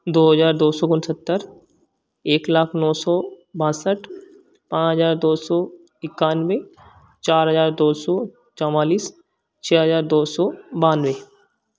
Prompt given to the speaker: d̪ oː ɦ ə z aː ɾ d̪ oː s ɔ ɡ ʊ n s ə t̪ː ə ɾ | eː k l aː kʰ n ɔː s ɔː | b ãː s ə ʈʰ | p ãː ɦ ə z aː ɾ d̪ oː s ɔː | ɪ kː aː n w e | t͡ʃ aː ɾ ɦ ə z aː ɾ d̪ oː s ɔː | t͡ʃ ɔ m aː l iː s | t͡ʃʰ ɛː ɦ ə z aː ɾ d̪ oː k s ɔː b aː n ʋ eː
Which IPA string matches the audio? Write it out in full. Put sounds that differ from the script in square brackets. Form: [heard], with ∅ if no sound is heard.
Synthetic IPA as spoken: d̪ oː ɦ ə z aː ɾ d̪ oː s ɔ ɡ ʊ n s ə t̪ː ə ɾ | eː k l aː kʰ n ɔː s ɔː | b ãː s ə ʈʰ | p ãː ɦ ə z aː ɾ d̪ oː s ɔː | ɪ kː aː n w e | t͡ʃ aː ɾ ɦ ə z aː ɾ d̪ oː s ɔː | t͡ʃ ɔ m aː l iː s | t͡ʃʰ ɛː ɦ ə z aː ɾ d̪ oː [∅] s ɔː b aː n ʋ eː